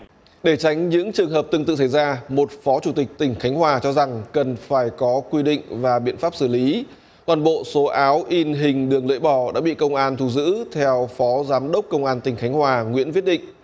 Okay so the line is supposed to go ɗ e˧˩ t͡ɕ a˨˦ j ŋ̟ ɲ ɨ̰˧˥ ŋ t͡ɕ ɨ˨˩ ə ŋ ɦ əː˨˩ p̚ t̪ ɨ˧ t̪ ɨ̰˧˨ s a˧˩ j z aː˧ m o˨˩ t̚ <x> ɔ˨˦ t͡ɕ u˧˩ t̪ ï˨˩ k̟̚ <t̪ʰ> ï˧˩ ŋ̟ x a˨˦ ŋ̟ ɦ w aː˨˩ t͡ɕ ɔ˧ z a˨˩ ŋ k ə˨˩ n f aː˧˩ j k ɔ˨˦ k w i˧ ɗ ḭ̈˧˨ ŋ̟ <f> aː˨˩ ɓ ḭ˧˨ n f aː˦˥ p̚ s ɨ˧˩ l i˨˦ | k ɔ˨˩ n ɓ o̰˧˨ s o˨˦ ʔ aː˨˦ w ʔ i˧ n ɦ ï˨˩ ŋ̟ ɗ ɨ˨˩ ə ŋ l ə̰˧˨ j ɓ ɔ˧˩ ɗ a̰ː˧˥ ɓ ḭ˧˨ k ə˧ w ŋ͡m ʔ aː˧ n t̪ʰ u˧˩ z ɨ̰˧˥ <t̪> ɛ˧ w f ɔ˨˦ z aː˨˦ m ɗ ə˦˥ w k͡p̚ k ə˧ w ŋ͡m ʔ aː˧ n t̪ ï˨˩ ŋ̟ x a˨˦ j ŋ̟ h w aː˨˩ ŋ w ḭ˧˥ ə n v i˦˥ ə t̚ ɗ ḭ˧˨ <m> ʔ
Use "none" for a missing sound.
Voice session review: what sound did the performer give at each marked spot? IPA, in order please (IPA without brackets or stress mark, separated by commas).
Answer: f, t̪, v, t̪ʰ, ŋ